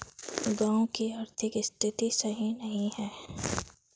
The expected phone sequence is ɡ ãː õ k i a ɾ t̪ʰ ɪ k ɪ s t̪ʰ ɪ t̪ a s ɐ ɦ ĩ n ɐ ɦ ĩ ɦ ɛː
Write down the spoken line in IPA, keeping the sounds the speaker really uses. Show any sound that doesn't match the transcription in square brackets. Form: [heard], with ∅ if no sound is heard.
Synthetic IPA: ɡ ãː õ k i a ɾ t̪ʰ ɪ k ɪ s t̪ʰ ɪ t̪ [i] s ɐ ɦ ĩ n ɐ ɦ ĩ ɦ ɛː